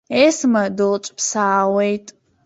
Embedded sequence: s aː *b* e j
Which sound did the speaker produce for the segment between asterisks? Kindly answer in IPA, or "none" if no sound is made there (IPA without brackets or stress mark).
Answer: w